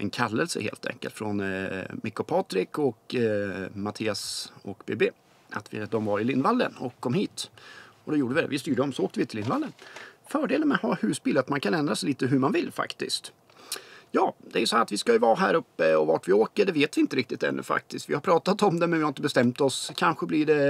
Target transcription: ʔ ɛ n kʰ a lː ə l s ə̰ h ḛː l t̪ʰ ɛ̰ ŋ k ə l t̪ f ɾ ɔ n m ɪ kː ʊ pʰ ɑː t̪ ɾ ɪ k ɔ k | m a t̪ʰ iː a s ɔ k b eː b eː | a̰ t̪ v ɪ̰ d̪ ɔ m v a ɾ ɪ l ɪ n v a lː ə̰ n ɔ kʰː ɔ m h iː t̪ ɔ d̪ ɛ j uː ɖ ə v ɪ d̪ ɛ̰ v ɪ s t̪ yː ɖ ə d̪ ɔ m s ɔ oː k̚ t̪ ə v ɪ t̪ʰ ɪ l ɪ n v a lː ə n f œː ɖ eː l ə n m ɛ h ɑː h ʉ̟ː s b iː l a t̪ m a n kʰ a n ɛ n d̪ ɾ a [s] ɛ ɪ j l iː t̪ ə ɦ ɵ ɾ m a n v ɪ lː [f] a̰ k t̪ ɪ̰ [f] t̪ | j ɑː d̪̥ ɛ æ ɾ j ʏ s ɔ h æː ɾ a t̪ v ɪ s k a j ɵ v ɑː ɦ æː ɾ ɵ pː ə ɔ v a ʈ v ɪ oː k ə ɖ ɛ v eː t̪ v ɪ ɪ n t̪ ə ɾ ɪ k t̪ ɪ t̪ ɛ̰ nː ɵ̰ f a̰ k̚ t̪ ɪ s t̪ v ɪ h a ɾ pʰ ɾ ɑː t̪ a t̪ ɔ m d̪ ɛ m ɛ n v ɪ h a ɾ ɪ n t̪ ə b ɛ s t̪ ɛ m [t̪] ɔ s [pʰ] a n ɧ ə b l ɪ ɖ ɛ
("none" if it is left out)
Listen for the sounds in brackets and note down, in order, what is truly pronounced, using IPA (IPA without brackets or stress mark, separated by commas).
s, f, s, t̪, kʰ